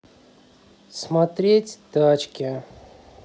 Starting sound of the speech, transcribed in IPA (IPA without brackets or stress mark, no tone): s